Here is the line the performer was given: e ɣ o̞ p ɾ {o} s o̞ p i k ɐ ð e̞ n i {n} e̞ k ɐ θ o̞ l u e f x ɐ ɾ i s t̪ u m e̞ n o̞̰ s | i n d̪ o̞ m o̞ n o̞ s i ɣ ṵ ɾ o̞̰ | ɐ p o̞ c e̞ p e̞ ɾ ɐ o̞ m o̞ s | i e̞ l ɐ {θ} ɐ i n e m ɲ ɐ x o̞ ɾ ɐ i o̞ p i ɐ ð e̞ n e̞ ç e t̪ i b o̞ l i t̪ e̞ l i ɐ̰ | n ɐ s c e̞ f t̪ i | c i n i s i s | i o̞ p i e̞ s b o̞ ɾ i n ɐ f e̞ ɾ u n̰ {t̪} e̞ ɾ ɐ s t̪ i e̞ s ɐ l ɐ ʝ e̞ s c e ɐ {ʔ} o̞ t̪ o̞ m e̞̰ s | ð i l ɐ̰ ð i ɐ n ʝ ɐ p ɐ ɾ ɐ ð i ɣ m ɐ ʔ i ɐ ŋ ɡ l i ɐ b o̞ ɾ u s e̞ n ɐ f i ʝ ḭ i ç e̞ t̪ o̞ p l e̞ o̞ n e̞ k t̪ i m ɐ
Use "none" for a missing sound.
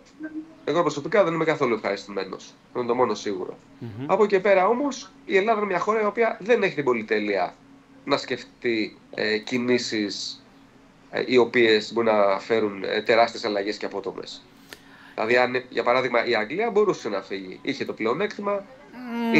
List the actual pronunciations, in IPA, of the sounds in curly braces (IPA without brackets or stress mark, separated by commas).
o, m, ð, t̪, p